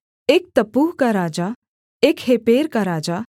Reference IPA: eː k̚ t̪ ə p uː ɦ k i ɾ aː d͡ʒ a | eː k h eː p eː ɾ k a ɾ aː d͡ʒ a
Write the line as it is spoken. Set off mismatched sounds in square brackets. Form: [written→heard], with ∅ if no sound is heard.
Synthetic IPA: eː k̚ t̪ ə p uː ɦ k [i→a] ɾ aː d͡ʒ a | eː k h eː p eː ɾ k a ɾ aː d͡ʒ a